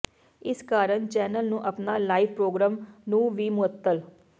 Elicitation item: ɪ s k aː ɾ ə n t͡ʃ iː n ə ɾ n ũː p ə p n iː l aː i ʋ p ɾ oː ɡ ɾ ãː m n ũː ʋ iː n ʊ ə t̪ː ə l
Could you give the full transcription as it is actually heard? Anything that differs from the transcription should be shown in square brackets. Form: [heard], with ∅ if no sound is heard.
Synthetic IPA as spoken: ɪ s k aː ɾ ə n t͡ʃ [ɛː] n ə [l] n ũː [ʔ] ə p n [aː] l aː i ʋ p ɾ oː ɡ ɾ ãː m n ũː ʋ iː [m] ʊ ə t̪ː ə l